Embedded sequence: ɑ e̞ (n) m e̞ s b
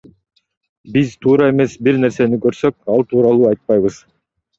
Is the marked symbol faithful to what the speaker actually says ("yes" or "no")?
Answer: no